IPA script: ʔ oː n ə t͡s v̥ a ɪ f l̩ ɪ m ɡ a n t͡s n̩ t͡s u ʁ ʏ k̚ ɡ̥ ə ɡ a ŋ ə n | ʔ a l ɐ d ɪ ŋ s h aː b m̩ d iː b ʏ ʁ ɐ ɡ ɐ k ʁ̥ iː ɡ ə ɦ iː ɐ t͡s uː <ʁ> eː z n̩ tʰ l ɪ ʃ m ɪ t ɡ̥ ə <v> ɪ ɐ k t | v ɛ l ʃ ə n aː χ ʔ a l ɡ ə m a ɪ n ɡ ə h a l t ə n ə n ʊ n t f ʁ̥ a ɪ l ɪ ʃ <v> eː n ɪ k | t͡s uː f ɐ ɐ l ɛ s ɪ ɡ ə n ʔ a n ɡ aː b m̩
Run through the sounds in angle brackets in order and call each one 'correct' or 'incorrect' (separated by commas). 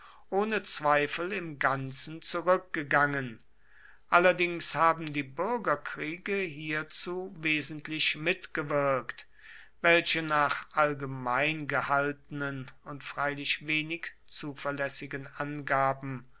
incorrect, correct, correct